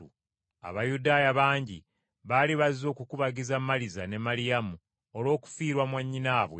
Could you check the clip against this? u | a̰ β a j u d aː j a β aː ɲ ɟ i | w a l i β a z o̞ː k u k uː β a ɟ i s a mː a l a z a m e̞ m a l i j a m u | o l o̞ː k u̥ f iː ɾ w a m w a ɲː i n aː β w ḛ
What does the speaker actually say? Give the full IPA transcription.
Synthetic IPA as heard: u | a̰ β a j u d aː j a β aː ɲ ɟ i | β a l i β a z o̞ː k u k u β a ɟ i z a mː a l i z a n e̞ m a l i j a m u | o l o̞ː k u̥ f iː ɾ w a m w a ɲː i n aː β w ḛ